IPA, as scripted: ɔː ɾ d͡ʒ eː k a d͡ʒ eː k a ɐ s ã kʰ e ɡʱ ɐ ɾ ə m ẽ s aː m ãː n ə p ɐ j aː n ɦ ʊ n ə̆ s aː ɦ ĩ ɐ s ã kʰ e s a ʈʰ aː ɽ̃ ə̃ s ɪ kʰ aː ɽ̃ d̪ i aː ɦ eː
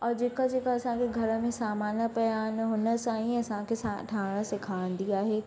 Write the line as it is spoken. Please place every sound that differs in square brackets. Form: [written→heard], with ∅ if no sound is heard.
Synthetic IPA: ɔː ɾ d͡ʒ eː k a d͡ʒ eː k a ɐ s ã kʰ e ɡʱ ɐ ɾ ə m ẽ s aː m [ãː→aː] n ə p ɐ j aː n ɦ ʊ n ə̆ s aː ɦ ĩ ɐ s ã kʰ e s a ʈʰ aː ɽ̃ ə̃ s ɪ kʰ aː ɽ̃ d̪ i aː ɦ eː